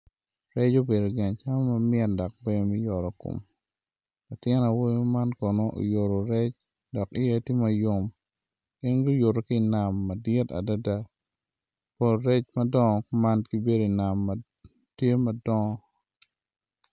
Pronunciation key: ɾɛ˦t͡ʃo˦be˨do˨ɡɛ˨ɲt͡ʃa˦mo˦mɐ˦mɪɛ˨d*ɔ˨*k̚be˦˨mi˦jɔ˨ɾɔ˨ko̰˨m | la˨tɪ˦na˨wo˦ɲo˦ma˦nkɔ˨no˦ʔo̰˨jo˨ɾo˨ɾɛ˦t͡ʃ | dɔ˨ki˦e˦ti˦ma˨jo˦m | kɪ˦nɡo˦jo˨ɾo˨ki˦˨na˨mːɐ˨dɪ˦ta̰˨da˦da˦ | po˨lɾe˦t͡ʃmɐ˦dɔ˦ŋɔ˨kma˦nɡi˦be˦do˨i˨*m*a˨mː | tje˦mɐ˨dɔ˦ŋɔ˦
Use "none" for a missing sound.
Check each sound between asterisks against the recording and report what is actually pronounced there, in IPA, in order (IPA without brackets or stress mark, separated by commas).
ɔ˨, n